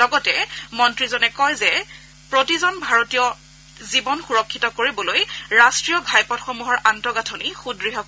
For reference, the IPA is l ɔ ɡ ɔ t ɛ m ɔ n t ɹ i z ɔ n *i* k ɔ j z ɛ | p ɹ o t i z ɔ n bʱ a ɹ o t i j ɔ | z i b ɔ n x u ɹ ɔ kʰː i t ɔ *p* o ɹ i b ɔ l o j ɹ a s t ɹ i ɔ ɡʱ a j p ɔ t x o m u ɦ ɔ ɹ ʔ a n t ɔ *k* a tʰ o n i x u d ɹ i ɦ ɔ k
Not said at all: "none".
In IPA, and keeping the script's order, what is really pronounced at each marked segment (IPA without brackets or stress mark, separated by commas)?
ɛ, k, ɡ